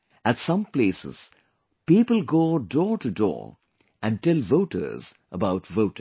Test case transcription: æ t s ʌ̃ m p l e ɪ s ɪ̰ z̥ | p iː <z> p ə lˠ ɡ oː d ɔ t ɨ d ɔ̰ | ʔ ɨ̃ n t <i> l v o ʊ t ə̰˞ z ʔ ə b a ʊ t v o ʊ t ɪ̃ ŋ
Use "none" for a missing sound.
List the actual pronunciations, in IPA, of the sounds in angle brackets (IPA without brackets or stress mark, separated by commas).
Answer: none, ɛ